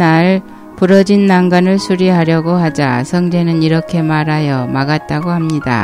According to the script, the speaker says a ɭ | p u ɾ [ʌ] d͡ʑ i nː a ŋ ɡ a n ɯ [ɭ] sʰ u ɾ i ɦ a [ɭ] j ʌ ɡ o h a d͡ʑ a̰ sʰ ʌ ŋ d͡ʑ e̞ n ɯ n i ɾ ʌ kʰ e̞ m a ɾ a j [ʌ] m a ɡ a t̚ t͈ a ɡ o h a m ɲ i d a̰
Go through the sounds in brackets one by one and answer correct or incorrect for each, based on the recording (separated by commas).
correct, correct, incorrect, correct